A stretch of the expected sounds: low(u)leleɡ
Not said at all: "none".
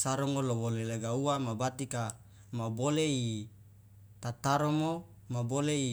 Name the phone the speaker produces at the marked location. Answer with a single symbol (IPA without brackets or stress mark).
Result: o